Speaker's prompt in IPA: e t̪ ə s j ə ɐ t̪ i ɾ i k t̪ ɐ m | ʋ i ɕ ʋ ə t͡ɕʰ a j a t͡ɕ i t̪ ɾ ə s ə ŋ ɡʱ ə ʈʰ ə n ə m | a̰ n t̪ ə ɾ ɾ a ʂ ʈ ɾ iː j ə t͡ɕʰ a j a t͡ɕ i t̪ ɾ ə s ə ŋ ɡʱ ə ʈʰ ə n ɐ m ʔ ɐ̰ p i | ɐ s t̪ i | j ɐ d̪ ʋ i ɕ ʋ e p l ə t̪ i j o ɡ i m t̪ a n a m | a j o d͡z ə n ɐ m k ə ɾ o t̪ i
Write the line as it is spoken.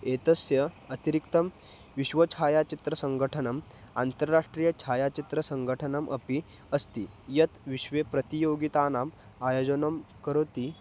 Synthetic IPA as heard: e t̪ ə s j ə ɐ t̪ i ɾ i k t̪ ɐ m | ʋ i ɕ ʋ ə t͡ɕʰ a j a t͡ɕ i t̪ ɾ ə s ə ŋ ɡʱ ə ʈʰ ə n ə m | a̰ n t̪ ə ɾ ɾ a ʂ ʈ ɾ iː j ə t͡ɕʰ a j a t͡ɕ i t̪ ɾ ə s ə ŋ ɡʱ ə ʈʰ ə n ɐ m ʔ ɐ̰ p i | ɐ s t̪ i | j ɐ t̪ ʋ i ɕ ʋ e p ɾ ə t̪ i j o ɡ i t̪ a n a m | a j o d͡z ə n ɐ m k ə ɾ o t̪ i